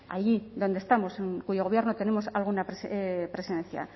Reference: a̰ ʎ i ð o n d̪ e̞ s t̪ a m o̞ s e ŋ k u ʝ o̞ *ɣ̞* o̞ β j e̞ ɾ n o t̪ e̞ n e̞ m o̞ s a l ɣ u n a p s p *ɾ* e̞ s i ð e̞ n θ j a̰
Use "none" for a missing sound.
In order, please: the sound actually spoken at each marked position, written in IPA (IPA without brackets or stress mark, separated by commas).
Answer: ɣ̞, ɾ